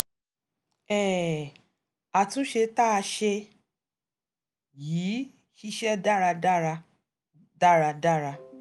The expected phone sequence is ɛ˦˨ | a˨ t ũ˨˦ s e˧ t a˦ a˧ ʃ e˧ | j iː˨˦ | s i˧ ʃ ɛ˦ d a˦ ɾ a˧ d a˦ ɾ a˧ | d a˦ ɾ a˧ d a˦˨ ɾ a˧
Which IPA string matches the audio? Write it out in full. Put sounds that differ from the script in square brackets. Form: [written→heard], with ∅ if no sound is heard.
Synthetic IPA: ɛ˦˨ | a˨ t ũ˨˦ [s→ʃ] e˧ t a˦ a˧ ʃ e˧ | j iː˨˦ | [s→ʃ] i˧ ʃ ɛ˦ d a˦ ɾ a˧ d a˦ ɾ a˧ | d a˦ ɾ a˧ d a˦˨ ɾ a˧